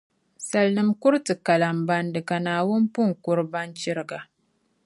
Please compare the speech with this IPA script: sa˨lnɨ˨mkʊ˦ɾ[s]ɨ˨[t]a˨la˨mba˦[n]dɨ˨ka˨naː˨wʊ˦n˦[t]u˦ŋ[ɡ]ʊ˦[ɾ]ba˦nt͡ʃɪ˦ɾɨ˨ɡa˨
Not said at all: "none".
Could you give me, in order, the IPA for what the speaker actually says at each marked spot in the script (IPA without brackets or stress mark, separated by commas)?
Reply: t, k, n, p, k, ɾ